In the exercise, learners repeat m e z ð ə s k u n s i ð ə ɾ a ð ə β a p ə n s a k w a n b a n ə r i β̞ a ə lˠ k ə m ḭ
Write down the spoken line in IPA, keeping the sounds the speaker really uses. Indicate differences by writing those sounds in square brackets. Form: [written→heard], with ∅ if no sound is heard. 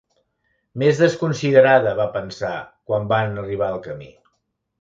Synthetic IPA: m e z ð ə s k u n s i ð ə ɾ a ð ə β a p ə n s a k w a [n→m] b a n ə r i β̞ a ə lˠ k ə m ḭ